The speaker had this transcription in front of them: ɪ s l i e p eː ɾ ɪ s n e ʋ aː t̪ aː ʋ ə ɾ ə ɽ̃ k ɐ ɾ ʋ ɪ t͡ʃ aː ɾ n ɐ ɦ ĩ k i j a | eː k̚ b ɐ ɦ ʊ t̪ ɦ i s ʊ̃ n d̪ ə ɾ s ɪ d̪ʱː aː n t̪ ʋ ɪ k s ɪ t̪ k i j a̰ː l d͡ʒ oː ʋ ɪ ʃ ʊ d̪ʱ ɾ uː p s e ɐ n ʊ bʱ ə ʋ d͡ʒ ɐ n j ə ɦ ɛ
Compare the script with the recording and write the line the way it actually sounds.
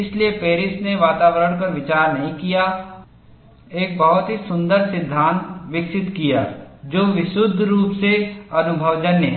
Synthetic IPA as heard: ɪ s l i e p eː ɾ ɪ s n e ʋ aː t̪ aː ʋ ə ɾ ə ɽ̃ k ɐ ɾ ʋ ɪ t͡ʃ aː ɾ n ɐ ɦ ĩ k i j a | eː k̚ b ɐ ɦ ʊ t̪ ɦ i s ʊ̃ n d̪ ə ɾ s ɪ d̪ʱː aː n t̪ ʋ ɪ k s ɪ t̪ k i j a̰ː d͡ʒ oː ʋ ɪ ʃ ʊ d̪ʱ ɾ uː p s e ɐ n ʊ bʱ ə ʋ d͡ʒ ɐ n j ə ɦ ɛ